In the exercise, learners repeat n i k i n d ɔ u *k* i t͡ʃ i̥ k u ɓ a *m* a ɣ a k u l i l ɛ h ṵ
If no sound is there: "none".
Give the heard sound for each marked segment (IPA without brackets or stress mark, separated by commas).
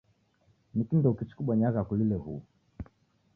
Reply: k, ɲ